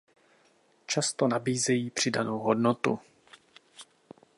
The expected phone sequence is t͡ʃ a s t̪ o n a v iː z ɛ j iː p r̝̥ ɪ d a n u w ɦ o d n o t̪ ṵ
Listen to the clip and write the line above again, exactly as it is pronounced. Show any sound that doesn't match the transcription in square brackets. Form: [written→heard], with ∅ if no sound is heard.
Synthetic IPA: t͡ʃ a s t̪ o n a [v→b] iː z ɛ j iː p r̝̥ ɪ d a n [u→o] w ɦ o d n o t̪ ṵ